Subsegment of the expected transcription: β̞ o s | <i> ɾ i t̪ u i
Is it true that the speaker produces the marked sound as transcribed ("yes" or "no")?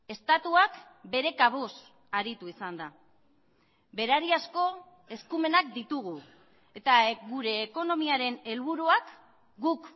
no